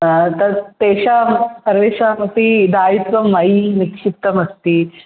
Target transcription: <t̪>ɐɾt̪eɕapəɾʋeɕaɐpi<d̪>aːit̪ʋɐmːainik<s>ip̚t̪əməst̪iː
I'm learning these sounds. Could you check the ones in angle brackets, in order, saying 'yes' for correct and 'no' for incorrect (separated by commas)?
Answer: yes, yes, no